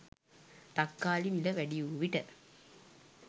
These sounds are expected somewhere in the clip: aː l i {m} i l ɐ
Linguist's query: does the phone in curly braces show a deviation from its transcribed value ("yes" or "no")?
no